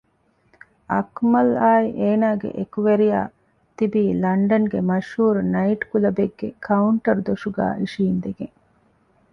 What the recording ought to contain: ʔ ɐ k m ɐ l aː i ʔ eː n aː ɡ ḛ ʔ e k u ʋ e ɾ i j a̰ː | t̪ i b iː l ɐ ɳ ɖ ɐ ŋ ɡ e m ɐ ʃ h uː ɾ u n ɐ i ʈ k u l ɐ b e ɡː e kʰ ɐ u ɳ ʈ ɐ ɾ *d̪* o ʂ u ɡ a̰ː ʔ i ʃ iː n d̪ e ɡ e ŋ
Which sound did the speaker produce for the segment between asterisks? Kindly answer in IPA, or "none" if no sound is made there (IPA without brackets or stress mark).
d̪